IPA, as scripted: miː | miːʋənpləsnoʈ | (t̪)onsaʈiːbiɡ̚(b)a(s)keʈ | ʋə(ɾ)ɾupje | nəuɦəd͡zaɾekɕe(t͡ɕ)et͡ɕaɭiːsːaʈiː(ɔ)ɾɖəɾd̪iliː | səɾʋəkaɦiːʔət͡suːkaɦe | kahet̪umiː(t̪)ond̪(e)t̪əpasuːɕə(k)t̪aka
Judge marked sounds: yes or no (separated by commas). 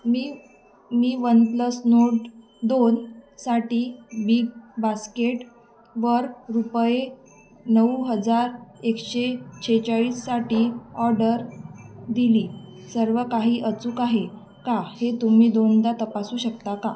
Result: no, yes, yes, yes, no, yes, no, no, yes